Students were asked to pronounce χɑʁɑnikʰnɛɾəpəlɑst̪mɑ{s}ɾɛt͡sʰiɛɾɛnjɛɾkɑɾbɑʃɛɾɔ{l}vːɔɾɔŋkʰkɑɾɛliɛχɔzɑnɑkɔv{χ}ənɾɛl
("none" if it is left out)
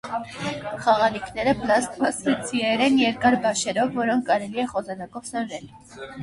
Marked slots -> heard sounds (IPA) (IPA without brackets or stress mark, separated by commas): s, none, s